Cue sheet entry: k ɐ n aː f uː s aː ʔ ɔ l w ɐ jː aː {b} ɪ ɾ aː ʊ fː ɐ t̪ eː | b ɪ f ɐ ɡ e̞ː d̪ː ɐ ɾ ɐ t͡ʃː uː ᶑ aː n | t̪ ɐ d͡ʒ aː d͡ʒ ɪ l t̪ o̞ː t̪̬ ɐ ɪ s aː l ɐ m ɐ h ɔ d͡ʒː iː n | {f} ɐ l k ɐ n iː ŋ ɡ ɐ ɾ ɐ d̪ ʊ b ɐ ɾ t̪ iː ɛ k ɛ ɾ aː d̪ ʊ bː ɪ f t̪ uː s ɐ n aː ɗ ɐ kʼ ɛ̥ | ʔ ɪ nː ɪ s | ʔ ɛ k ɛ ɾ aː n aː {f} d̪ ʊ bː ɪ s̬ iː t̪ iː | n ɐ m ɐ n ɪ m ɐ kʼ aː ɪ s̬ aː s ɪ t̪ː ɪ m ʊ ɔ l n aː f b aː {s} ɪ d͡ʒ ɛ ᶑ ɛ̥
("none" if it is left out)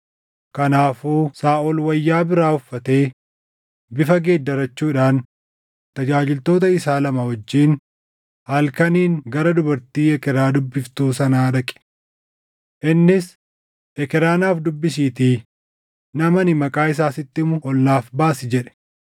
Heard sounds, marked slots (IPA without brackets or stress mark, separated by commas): b, h, f, s